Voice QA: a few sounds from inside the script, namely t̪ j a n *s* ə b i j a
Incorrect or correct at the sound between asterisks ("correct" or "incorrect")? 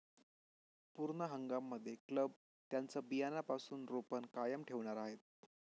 incorrect